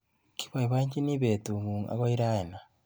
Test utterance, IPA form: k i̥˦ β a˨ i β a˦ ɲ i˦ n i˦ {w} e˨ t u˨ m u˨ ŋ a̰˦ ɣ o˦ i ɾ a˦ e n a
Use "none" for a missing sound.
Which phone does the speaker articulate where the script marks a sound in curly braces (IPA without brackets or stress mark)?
β